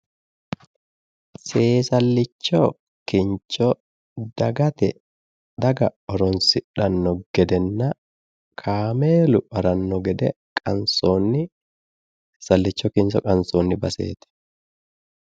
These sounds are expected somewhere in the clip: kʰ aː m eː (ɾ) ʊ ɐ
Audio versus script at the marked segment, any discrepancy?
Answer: yes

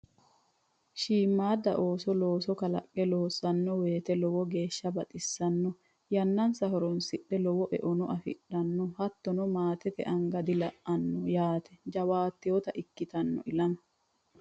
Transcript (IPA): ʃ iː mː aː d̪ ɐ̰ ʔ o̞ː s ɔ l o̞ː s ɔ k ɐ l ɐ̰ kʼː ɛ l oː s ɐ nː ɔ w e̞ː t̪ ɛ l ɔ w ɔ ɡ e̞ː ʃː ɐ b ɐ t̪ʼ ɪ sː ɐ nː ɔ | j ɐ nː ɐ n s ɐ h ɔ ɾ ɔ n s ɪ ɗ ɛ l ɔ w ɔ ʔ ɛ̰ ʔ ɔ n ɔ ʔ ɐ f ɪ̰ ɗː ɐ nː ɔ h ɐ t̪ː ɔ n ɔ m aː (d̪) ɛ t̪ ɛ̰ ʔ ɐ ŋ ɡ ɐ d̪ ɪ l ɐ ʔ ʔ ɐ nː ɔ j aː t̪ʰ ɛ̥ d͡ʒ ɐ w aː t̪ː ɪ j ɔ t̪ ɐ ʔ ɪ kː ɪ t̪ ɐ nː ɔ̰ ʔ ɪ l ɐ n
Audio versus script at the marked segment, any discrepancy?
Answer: yes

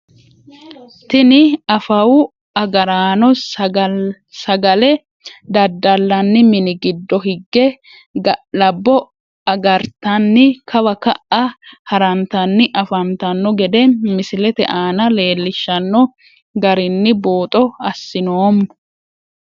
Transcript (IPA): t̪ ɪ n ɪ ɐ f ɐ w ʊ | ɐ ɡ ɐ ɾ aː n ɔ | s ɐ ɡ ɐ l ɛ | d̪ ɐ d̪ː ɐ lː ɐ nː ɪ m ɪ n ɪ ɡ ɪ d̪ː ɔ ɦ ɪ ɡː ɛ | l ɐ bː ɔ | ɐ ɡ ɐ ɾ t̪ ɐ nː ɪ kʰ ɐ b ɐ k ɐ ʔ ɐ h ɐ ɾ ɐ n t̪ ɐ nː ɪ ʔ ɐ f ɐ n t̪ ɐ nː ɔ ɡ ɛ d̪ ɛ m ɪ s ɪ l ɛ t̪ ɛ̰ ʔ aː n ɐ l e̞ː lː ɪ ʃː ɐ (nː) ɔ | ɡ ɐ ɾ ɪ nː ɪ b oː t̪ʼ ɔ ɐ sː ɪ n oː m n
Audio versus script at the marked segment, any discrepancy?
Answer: no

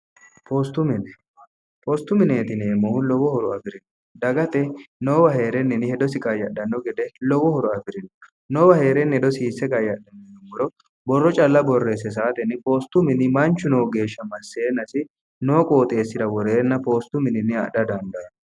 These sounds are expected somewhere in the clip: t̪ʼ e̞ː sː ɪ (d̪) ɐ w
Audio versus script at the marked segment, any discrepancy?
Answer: no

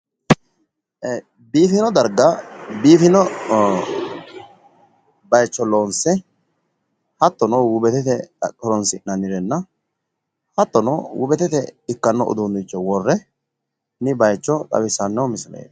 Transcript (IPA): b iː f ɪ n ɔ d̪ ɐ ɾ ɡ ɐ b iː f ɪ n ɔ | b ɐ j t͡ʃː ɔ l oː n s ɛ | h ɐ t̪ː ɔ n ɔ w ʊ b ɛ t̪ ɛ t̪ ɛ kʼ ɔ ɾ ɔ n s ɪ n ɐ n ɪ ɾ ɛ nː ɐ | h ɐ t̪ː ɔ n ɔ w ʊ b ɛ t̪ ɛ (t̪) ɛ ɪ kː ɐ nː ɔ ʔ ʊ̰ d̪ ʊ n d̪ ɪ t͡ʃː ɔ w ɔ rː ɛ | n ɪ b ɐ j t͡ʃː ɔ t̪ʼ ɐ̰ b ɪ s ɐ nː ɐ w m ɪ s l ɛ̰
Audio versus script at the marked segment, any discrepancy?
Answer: no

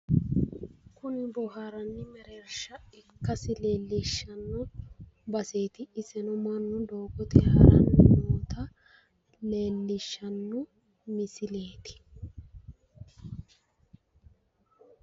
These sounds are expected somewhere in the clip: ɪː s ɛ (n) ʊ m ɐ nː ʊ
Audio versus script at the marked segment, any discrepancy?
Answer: no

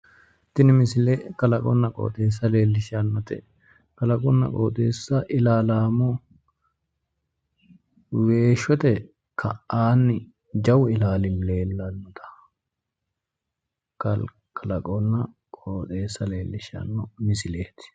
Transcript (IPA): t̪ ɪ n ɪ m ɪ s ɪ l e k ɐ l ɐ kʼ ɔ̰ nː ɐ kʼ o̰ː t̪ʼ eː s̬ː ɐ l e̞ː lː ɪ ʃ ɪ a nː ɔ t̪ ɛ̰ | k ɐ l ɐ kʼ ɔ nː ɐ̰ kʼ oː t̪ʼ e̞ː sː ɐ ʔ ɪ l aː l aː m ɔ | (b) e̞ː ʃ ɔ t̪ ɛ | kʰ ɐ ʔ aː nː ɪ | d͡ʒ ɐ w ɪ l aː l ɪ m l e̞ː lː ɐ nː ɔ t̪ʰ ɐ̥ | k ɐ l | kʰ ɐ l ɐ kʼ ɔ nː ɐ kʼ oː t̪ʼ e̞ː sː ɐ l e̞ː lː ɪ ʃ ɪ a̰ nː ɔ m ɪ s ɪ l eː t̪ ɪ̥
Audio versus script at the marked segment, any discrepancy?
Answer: yes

